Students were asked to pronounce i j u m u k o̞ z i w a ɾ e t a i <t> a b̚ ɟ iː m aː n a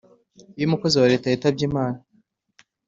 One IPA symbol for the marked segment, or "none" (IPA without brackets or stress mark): t